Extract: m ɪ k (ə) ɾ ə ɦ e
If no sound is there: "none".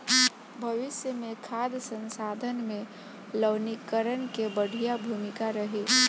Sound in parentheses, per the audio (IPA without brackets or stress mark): a